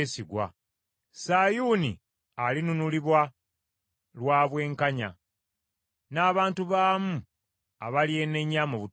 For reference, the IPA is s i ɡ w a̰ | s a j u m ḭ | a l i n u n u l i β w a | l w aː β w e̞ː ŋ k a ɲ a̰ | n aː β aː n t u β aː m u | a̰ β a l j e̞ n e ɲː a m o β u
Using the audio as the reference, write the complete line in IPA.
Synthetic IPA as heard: s i ɡ w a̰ | s a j u n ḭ | a l i n u n u l i β w a | l w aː β w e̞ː ŋ k a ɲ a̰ | n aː β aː n t u β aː m u | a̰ β a l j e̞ n e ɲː a m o β u